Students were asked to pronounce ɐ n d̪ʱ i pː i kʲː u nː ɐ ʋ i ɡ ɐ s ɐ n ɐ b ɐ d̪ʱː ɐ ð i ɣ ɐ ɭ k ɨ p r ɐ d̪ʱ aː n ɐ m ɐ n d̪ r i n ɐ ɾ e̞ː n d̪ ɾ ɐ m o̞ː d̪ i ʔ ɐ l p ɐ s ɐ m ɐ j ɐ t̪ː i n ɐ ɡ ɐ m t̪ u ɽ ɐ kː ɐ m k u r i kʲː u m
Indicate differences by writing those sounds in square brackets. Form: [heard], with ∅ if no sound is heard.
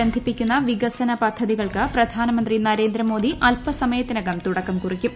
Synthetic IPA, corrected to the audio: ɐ n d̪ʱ i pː i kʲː u nː ɐ ʋ i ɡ ɐ s ɐ n ɐ [p] ɐ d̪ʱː ɐ ð i ɣ ɐ ɭ k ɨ p r ɐ d̪ʱ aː n ɐ m ɐ n d̪ r i n ɐ ɾ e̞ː n d̪ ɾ ɐ m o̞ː d̪ i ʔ ɐ l p ɐ s ɐ m ɐ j ɐ t̪ː i n ɐ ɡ ɐ m t̪ u ɽ ɐ kː ɐ m k u r i kʲː u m